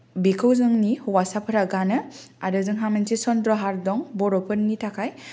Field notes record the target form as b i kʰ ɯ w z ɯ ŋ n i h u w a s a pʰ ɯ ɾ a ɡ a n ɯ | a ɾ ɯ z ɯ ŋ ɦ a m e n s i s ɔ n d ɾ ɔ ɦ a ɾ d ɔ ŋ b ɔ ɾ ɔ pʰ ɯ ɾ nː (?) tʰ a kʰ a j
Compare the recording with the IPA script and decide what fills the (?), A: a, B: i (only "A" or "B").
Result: B